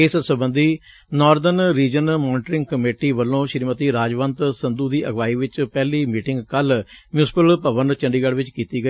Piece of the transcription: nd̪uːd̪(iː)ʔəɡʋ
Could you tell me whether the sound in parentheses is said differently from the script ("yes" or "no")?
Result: no